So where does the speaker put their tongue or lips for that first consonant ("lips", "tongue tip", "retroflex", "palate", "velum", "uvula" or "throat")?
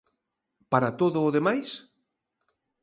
lips